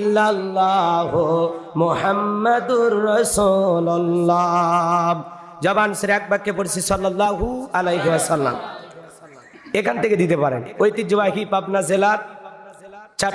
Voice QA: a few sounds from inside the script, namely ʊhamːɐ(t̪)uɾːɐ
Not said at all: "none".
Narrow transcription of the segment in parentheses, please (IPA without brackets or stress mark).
d̪